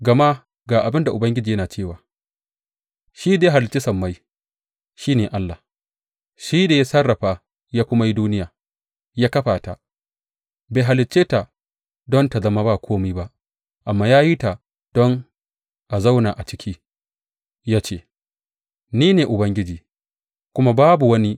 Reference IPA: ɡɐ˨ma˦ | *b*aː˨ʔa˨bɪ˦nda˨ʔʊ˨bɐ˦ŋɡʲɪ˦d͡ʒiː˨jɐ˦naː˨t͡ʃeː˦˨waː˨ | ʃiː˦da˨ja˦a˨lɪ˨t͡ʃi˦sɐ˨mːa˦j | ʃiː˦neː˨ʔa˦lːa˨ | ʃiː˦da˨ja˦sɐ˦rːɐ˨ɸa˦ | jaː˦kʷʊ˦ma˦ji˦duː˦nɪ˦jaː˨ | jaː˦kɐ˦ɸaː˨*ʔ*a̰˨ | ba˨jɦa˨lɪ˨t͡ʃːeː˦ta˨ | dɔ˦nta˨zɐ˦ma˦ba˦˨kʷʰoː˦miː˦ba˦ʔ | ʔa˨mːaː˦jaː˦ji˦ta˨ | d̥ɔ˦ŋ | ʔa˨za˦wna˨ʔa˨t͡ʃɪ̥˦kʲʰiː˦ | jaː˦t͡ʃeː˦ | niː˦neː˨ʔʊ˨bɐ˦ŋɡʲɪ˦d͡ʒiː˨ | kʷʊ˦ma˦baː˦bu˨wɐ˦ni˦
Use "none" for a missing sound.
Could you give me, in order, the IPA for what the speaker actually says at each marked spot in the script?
ɡ, t

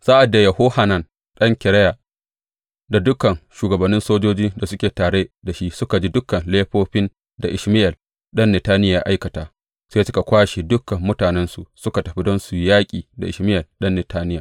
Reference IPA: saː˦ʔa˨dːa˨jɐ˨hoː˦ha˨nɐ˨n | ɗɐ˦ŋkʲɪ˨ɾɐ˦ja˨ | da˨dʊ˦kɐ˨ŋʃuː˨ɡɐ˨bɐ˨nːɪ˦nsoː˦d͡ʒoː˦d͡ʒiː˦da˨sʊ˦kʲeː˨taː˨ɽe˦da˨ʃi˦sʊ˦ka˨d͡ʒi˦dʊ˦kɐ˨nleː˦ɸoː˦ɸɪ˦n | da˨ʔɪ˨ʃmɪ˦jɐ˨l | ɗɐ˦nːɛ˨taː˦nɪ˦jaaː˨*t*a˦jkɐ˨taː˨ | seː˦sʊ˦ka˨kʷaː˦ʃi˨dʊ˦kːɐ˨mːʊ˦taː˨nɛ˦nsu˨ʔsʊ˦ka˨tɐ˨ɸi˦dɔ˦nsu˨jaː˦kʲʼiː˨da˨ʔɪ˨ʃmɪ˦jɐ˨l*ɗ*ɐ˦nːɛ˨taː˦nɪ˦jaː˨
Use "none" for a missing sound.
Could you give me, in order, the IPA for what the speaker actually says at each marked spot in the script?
ʔ, ɗ

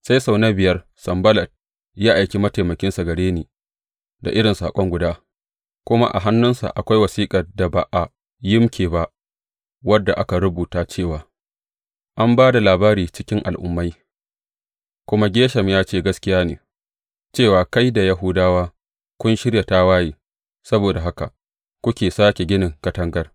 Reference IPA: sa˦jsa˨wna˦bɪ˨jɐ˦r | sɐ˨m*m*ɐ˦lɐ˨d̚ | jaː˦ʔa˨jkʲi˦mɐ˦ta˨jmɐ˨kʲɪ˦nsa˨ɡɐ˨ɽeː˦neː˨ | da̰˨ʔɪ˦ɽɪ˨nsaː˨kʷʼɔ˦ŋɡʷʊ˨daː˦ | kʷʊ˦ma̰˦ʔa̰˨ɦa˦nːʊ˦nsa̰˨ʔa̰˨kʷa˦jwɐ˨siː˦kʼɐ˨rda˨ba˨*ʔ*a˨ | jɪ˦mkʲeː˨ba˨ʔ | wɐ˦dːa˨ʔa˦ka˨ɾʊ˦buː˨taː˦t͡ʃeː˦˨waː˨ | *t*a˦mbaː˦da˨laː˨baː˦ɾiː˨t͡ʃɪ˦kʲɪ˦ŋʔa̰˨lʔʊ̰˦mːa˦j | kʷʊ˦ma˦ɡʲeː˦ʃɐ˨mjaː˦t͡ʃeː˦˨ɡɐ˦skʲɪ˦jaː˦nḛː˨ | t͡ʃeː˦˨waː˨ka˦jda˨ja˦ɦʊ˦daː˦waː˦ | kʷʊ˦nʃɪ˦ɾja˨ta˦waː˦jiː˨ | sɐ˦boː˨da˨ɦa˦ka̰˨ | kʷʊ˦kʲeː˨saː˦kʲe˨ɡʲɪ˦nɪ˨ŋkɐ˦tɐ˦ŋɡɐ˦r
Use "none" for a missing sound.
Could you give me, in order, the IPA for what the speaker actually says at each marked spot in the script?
b, ʔ, ʔ

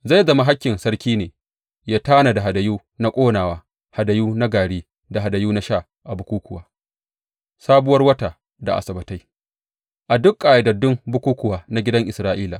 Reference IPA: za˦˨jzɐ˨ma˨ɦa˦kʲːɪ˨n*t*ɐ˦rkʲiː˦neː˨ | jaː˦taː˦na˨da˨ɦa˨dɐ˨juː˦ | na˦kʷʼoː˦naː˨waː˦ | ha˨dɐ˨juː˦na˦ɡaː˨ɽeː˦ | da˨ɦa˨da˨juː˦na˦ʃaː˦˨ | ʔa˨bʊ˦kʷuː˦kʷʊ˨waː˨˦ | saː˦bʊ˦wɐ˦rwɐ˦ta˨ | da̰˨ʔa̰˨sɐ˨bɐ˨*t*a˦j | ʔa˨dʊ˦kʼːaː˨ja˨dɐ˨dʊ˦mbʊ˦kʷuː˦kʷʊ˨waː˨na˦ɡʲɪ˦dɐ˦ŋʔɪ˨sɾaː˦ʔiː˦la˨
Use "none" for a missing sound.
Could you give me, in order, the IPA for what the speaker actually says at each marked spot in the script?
s, t

